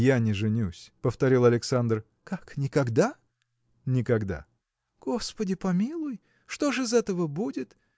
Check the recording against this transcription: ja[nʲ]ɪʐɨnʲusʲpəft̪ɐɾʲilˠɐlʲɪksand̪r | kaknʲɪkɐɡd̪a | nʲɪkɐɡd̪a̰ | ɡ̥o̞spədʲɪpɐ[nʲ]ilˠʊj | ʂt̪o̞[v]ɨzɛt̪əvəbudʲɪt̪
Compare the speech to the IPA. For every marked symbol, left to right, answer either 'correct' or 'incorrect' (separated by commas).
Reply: correct, incorrect, incorrect